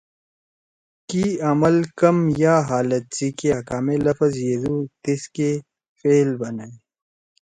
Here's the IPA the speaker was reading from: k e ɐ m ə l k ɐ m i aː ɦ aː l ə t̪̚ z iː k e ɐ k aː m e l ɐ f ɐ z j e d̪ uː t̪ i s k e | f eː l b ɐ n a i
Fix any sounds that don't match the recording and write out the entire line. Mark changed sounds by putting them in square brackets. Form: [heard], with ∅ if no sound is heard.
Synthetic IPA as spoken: k [i] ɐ m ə l k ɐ m [j] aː ɦ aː l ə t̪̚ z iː k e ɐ k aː m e l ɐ f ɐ z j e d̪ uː t̪ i s k e | f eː l b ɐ n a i